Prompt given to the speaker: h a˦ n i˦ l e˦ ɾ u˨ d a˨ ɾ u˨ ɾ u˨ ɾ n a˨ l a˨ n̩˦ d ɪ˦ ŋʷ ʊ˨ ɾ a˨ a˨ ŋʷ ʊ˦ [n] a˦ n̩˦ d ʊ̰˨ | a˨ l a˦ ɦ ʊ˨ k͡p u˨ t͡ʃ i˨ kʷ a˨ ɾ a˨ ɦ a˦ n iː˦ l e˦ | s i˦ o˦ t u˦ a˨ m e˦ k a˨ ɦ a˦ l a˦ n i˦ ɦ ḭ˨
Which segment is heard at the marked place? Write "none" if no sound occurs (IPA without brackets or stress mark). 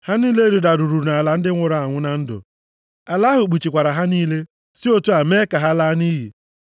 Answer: n